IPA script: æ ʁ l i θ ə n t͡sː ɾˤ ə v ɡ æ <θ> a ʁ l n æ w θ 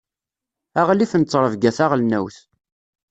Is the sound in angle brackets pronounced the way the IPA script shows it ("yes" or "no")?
yes